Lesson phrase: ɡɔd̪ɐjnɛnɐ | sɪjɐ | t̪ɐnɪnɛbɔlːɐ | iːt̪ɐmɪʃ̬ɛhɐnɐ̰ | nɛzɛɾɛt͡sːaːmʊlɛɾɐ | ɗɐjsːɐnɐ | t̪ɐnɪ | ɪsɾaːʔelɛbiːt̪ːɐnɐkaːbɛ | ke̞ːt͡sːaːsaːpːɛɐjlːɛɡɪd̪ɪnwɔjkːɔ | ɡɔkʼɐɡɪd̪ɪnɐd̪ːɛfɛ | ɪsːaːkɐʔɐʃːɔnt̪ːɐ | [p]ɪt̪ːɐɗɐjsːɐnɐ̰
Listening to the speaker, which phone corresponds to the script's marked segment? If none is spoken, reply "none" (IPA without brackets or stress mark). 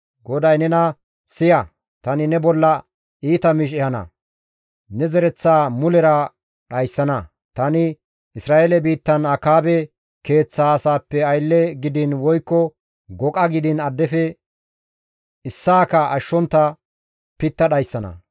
p